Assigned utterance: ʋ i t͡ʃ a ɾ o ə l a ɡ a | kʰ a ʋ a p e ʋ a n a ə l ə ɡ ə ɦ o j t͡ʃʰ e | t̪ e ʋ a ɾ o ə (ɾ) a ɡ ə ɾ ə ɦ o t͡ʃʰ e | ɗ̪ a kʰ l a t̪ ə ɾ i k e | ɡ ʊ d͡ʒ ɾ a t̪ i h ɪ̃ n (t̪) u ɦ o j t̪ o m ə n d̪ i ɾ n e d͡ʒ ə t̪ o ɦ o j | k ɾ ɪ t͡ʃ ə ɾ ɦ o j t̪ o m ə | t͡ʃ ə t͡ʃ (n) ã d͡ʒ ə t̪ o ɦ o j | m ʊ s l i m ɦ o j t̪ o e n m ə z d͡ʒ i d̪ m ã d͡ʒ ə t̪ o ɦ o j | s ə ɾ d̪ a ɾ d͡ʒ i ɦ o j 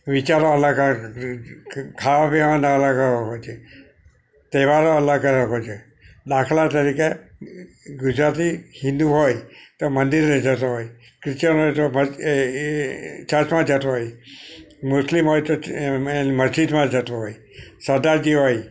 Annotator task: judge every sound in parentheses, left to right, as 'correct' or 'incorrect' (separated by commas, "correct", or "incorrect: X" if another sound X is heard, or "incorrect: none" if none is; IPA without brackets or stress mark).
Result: incorrect: l, incorrect: d̪, incorrect: m